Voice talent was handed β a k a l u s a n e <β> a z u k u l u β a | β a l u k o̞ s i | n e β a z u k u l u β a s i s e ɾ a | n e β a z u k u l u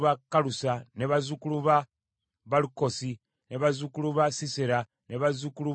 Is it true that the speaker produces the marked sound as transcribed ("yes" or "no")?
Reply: yes